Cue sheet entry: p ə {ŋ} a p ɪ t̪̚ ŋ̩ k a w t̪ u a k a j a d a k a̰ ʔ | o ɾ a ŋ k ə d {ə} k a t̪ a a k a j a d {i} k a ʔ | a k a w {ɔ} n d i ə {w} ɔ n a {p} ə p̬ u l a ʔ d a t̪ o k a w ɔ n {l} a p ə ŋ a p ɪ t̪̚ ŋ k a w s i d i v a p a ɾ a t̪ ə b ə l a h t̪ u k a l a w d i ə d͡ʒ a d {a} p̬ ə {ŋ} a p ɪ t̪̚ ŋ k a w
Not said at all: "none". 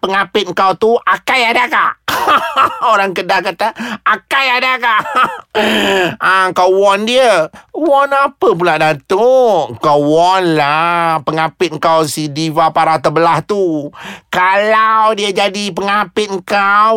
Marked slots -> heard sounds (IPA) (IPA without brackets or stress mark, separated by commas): ŋ, a, a, ɔ, w, p, l, i, ŋ